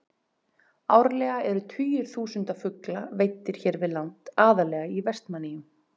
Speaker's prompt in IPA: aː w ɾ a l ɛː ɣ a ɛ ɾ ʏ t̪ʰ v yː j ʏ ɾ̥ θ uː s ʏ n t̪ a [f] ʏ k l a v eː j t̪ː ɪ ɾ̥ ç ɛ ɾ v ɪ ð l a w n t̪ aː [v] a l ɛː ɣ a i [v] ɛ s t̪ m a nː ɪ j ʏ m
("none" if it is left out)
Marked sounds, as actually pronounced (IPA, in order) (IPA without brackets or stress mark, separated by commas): f, ð, v